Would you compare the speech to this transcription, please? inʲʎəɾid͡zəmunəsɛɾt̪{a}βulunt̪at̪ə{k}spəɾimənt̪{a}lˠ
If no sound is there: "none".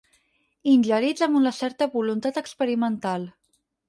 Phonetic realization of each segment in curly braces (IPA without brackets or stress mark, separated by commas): ə, k, a